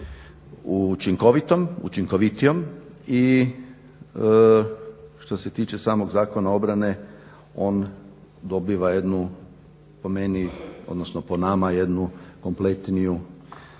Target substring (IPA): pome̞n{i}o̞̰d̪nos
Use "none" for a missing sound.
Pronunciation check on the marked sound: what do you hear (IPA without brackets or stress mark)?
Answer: i